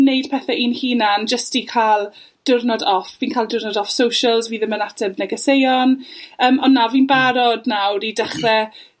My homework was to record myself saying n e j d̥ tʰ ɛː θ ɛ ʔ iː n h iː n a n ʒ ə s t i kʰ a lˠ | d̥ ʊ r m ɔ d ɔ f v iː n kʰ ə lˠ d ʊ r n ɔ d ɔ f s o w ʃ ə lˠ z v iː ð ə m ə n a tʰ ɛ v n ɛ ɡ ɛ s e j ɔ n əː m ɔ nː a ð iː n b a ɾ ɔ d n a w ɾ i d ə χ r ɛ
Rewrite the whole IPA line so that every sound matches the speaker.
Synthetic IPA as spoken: n e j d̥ pʰ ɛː θ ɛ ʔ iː n h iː n a n d͡ʒ ə s t i kʰ a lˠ | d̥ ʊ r n ɔ d ɔ f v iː n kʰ a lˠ d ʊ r n ɔ d ɔ f s o w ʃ ə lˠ z v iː ð ə m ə n a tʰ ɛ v n ɛ ɡ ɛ s e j ɔ n əː m ɔ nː a v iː n b a ɾ ɔ d n a w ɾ i d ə χ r ɛ